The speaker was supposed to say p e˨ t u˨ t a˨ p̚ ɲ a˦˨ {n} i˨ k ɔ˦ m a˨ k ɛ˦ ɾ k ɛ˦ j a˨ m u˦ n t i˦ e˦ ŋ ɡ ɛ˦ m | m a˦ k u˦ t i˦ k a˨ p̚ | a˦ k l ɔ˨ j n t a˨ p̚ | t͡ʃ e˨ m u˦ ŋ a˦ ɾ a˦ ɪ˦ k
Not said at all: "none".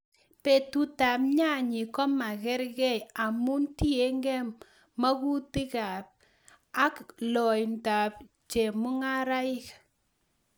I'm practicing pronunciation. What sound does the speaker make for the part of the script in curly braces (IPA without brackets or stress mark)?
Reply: ɲ